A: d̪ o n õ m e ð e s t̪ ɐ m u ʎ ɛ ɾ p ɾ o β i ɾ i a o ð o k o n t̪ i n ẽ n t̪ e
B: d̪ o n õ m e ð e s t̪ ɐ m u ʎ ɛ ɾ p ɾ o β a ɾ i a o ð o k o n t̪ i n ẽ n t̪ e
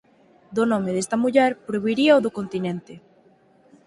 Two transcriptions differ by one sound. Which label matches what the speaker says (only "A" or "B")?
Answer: A